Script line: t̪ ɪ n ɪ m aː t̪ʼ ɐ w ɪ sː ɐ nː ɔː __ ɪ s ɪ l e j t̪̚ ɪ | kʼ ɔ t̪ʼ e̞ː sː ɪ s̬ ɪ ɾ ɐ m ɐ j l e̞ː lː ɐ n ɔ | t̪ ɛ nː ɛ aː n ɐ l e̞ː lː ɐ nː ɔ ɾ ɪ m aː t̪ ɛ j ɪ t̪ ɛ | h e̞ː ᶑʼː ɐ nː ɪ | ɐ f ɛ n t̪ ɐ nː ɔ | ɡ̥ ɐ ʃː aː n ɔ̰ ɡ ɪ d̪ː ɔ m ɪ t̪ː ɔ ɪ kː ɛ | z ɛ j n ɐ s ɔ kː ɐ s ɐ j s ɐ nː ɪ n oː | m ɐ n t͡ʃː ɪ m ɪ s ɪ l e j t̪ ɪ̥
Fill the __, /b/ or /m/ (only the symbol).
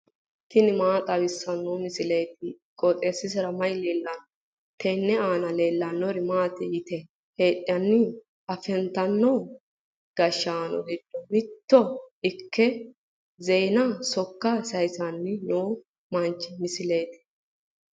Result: m